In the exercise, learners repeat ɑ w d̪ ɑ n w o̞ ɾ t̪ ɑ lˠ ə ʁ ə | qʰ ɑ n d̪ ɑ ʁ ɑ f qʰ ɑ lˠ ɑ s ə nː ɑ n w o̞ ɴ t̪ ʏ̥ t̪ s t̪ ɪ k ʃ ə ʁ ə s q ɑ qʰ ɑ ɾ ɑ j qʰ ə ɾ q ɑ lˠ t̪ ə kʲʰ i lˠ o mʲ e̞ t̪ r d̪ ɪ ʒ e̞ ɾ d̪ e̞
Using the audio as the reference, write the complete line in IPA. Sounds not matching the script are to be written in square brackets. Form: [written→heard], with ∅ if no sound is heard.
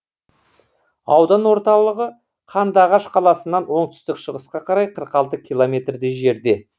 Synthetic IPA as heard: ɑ w d̪ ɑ n w o̞ ɾ t̪ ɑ lˠ ə ʁ ə | qʰ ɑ n d̪ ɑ ʁ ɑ [f→ʃ] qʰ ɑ lˠ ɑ s ə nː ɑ n w o̞ ɴ t̪ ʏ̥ [t̪→∅] s t̪ ɪ k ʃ ə ʁ ə s q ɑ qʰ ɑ ɾ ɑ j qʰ ə ɾ q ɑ lˠ t̪ ə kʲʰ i lˠ o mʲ e̞ t̪ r d̪ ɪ ʒ e̞ ɾ d̪ e̞